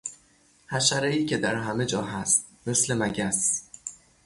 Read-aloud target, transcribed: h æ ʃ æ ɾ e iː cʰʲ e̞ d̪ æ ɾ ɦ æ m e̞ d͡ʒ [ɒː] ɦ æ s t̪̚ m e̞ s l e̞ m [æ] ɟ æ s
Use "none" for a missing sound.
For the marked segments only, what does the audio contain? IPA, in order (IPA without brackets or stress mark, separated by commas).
ɒː, æ